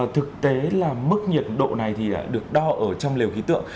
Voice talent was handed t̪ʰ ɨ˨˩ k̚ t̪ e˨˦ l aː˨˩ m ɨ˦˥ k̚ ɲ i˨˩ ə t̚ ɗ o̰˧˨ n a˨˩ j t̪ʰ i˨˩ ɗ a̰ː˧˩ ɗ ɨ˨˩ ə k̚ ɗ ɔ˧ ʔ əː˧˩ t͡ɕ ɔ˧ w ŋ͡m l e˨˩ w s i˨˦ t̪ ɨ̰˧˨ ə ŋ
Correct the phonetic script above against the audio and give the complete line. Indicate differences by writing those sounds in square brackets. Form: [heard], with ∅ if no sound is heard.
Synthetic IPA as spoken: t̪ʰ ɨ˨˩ k̚ t̪ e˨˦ l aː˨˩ m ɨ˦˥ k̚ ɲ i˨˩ ə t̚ ɗ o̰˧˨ n a˨˩ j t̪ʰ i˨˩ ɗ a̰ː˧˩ ɗ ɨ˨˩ ə k̚ ɗ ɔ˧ ʔ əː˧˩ t͡ɕ ɔ˧ w ŋ͡m l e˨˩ w [x] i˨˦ t̪ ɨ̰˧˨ ə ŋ